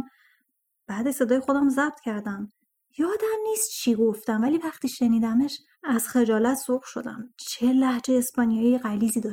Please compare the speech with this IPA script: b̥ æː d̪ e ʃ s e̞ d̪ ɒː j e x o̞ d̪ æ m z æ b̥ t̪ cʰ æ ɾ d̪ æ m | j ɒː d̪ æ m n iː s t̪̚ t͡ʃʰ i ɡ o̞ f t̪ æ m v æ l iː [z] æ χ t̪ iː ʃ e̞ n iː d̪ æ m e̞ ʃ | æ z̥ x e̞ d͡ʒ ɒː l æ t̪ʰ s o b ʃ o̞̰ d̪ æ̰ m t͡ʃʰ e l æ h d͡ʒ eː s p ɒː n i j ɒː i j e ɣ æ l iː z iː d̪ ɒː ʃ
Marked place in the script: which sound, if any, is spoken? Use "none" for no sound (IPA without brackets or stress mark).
v